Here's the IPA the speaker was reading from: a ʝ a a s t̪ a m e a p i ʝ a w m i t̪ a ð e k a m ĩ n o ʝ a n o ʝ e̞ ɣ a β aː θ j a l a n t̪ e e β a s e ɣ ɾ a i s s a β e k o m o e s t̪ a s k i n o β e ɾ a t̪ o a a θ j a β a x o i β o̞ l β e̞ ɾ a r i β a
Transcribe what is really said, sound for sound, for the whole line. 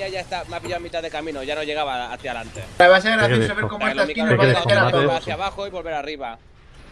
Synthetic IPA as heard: a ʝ a e s t̪ a m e a p i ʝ a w m i t̪ a ð e k a m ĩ n o ʝ a n o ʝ e̞ ɣ a β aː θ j a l a n t̪ e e β a s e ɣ ɾ a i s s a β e k o m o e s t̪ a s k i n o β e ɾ a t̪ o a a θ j a β a x o i β o̞ l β e̞ ɾ a r i β a